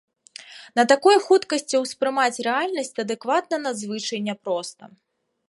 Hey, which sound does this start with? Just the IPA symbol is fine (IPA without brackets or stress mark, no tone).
n